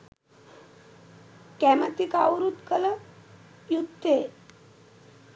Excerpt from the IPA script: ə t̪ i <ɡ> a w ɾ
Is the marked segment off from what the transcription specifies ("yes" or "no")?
yes